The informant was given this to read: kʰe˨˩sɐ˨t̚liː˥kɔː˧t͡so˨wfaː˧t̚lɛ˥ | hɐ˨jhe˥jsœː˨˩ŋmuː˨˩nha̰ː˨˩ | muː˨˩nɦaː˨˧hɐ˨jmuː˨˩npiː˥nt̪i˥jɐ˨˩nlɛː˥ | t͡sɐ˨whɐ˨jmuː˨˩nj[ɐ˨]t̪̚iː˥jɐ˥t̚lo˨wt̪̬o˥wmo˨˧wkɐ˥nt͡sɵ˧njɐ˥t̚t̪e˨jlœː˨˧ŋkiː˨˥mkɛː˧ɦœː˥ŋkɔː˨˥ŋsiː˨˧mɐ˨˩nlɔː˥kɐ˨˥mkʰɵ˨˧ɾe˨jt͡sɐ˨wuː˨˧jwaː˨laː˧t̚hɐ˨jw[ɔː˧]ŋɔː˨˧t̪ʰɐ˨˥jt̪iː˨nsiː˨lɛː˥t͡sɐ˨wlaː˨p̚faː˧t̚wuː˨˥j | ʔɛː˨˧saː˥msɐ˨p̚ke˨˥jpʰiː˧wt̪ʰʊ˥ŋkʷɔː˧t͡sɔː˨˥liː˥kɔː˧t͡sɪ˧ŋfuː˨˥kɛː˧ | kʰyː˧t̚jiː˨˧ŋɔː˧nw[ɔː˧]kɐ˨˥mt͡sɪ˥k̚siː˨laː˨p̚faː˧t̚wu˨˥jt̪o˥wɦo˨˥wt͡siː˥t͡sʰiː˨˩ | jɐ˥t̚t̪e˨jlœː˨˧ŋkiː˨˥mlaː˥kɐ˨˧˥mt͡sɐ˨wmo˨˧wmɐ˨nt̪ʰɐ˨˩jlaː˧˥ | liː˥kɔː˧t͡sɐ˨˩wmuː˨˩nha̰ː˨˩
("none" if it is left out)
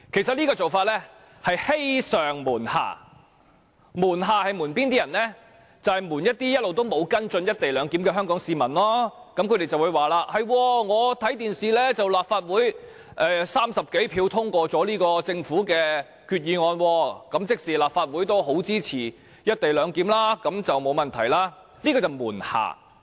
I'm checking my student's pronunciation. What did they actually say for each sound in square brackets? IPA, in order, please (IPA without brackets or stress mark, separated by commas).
ɐ˥, ɔː˧, ɔː˧